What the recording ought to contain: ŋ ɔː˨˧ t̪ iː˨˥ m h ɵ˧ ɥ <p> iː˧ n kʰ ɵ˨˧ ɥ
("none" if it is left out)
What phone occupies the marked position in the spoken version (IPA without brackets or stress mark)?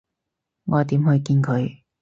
k